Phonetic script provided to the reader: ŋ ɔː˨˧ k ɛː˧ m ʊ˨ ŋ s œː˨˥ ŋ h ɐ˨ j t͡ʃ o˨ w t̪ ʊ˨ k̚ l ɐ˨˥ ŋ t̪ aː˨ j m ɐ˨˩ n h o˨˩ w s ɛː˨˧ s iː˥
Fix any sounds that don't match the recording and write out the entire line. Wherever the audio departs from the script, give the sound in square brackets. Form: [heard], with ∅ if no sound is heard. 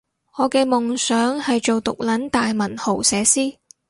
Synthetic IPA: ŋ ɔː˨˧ k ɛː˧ m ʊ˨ ŋ s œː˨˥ ŋ h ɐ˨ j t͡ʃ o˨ w t̪ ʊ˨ k̚ l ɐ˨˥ [n] t̪ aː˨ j m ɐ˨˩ n h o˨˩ w s ɛː˨˧ s iː˥